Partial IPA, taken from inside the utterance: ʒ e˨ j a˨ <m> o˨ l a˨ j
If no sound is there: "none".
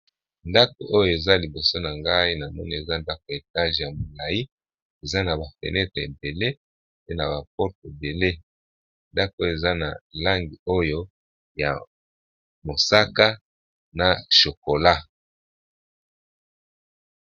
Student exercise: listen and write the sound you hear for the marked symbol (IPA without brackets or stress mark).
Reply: m